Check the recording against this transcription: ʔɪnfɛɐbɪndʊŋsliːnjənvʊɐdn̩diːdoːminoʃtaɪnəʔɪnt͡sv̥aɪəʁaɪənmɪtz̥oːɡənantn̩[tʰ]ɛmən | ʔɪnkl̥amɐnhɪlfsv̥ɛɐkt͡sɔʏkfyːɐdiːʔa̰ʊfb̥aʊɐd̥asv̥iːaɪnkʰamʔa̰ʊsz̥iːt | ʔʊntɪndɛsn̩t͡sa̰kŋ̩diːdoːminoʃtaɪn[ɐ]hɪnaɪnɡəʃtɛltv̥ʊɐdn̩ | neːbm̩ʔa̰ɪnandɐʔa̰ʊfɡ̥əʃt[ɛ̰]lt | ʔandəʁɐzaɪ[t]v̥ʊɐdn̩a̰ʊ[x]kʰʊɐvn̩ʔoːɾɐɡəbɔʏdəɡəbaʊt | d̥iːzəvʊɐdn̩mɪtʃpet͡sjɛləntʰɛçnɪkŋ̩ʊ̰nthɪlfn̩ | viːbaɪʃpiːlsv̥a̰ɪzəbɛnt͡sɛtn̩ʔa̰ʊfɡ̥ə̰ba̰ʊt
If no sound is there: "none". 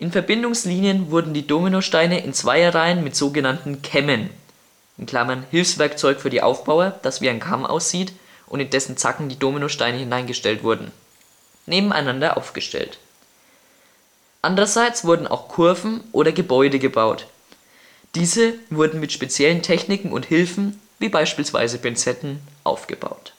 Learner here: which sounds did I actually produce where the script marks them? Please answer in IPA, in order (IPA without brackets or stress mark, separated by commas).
kʰ, ə, ɛ̰, t͡s, x